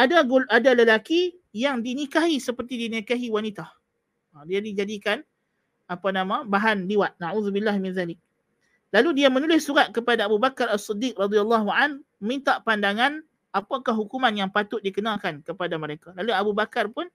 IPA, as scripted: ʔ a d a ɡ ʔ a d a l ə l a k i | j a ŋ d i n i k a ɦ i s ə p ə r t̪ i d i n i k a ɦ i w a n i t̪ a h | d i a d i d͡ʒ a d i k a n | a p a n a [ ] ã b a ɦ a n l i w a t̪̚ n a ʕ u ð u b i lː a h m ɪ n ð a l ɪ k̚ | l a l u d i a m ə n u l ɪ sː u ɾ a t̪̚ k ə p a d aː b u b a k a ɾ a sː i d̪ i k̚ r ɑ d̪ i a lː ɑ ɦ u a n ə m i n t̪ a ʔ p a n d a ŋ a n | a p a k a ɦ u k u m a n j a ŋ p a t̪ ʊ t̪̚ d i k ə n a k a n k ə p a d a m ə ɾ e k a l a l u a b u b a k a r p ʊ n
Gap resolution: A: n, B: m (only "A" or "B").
B